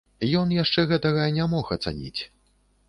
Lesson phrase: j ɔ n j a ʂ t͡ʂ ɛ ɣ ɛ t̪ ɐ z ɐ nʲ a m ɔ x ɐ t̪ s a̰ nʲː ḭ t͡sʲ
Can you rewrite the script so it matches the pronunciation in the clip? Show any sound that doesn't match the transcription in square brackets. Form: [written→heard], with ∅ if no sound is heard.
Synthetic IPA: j ɔ n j a ʂ t͡ʂ ɛ ɣ ɛ t̪ ɐ [z→ɣ] ɐ nʲ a m ɔ x ɐ t̪ s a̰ [nʲː→nʲ] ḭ t͡sʲ